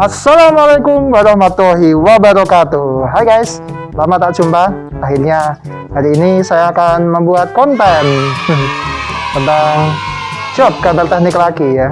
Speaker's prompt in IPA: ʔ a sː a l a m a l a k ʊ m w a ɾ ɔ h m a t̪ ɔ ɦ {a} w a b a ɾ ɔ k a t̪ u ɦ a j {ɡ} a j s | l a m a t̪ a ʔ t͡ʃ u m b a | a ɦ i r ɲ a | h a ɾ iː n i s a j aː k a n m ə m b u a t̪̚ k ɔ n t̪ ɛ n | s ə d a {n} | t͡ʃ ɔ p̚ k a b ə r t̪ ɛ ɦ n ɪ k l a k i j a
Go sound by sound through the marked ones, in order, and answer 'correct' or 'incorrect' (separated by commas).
incorrect, correct, incorrect